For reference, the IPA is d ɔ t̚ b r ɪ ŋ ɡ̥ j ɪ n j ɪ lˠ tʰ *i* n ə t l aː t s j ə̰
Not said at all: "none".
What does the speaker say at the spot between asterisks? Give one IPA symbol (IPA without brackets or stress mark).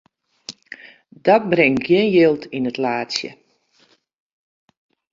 i